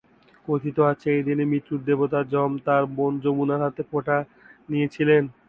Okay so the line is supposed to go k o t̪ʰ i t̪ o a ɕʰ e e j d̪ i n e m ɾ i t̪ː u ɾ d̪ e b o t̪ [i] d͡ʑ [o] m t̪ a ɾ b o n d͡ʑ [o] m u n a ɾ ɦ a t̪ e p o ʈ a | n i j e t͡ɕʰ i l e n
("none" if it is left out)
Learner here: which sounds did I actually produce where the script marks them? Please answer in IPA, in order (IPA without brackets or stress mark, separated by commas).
a, ɔ, o